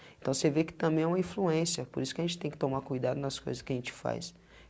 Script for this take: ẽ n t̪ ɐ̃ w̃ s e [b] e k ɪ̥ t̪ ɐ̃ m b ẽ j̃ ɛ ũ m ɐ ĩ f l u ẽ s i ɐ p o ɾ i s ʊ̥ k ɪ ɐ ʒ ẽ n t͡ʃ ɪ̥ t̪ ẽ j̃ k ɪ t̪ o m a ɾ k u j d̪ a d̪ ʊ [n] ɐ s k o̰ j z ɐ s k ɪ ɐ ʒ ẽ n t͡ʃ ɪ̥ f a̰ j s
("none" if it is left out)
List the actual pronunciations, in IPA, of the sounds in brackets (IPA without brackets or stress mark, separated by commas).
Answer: v, n